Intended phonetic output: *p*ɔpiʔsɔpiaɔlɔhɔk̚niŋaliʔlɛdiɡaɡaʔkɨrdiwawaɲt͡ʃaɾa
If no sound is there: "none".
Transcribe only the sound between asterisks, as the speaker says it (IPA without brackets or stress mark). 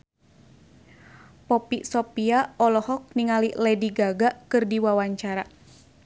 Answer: p